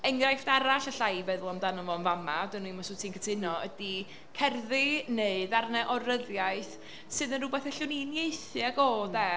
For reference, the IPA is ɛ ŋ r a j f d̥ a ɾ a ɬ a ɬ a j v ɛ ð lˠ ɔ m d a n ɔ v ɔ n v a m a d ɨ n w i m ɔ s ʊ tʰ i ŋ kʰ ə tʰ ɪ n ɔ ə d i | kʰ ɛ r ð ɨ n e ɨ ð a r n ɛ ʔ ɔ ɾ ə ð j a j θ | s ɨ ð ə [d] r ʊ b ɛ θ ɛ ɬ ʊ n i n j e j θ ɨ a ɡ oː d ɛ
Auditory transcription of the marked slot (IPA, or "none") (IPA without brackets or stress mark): n